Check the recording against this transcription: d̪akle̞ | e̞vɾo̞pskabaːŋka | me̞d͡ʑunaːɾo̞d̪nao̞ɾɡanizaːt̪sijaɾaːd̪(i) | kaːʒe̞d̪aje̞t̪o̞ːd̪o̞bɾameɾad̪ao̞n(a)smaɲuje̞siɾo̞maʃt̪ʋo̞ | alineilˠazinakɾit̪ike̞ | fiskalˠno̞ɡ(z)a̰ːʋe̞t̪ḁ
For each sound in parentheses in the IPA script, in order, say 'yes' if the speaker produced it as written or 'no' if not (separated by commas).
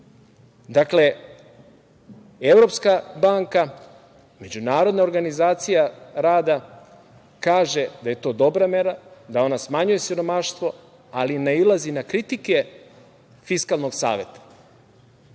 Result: no, yes, no